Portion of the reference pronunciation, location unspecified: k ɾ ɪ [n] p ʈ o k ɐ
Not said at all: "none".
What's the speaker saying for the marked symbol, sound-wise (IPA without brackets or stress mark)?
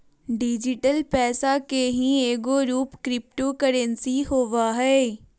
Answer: none